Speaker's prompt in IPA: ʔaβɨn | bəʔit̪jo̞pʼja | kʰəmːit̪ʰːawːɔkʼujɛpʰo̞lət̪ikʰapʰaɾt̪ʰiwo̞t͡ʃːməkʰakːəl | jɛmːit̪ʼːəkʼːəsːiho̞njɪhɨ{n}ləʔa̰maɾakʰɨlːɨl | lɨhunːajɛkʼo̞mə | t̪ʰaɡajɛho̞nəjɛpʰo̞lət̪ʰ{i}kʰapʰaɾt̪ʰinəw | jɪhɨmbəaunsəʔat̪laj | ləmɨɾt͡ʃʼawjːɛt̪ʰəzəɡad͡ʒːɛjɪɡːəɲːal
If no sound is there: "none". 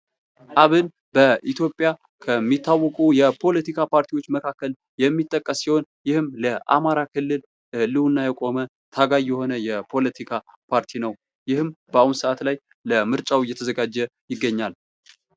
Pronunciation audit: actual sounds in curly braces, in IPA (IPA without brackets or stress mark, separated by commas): m, i